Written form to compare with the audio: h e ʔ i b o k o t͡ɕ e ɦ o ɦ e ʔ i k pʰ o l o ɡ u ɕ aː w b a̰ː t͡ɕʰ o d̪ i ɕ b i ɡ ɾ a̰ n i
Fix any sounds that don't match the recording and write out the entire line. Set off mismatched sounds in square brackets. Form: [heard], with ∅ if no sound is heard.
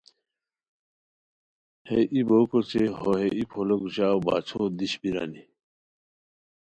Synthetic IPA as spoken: h e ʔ i b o k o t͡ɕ e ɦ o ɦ e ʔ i [∅] pʰ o l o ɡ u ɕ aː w b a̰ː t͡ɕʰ o d̪ i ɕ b i [∅] ɾ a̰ n i